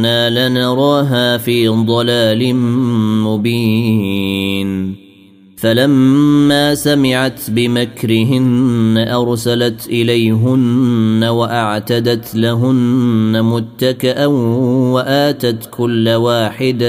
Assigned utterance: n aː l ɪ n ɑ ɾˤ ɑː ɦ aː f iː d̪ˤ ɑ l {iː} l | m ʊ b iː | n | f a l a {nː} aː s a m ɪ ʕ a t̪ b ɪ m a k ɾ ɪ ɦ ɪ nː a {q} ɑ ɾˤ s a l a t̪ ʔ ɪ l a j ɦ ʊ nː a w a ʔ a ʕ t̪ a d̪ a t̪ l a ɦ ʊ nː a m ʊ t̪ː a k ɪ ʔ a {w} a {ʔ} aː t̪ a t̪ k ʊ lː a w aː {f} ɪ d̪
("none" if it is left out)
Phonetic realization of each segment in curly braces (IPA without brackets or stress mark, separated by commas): aː, mː, ʔ, w, ʔ, ħ